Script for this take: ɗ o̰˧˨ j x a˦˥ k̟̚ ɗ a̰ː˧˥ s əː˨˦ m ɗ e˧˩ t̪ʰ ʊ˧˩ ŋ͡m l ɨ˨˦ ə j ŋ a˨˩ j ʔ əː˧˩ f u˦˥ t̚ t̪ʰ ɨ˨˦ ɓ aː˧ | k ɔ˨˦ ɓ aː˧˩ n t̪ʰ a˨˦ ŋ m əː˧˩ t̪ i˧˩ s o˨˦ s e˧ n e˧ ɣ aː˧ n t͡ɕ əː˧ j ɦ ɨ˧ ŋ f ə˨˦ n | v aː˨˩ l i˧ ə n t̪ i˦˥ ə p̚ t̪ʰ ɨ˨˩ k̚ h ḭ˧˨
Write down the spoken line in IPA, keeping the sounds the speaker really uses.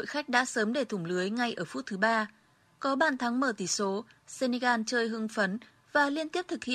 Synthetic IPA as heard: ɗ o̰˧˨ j x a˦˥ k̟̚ ɗ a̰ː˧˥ s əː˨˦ m ɗ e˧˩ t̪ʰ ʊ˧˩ ŋ͡m l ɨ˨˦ ə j ŋ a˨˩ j ʔ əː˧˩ f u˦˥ t̚ t̪ʰ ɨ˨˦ ɓ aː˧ | k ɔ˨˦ ɓ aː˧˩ n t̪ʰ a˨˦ ŋ m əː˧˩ t̪ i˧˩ s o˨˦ s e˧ n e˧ ɣ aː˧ n t͡ɕ əː˧ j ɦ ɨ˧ ŋ f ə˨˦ n | v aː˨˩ l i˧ ə n t̪ i˦˥ ə p̚ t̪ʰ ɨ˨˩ k̚ h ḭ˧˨